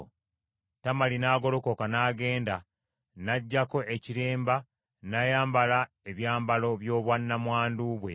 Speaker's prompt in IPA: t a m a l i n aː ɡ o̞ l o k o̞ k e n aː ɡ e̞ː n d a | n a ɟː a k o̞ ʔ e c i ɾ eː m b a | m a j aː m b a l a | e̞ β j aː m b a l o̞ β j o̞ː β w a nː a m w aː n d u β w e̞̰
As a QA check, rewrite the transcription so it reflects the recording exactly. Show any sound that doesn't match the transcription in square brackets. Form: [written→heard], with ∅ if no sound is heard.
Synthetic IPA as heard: t a m a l i n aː ɡ o̞ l o k o̞ k [e→a] n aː ɡ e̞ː n d a | n a ɟː a k o̞ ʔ e c i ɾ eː m b a | [m→n] a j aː m b a l a | e̞ β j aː m b a l o̞ β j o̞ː β w a nː a m w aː n d u β w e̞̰